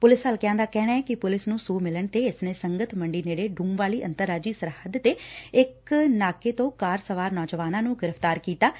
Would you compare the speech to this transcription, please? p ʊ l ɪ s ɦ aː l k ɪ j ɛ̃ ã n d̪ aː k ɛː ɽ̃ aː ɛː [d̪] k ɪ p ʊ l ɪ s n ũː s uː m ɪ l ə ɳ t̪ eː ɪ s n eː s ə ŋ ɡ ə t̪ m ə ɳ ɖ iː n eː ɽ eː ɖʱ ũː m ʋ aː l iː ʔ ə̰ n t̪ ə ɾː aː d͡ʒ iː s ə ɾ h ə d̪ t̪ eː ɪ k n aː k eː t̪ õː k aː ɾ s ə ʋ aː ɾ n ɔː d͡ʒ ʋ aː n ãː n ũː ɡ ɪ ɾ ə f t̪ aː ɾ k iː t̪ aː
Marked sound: incorrect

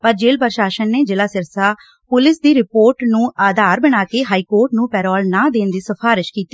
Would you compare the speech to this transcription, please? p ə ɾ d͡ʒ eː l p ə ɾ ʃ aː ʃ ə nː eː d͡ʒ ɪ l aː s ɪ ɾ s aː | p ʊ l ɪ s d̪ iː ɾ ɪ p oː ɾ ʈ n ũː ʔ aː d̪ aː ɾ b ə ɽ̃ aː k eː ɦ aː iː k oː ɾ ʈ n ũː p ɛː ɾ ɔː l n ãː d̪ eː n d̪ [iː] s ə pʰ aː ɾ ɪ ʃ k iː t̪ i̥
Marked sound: correct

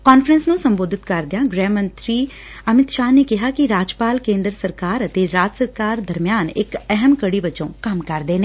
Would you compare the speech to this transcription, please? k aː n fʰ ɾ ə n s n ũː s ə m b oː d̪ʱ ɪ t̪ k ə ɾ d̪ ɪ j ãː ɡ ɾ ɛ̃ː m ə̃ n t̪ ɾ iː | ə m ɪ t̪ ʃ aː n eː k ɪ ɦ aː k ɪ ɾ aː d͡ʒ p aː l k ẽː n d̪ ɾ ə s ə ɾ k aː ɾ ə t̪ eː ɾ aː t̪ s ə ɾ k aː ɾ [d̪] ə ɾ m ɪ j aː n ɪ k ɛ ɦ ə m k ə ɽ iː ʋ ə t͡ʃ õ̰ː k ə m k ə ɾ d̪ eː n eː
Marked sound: correct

